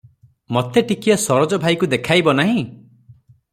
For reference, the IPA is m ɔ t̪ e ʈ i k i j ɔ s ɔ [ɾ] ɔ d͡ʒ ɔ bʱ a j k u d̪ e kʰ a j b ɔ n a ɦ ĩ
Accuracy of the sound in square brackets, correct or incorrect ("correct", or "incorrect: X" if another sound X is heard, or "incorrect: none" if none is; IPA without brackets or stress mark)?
correct